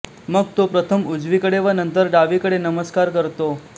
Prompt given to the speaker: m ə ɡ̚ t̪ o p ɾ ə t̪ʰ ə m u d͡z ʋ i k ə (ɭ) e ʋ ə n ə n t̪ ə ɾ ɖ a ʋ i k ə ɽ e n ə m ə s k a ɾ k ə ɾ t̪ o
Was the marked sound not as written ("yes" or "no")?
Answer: yes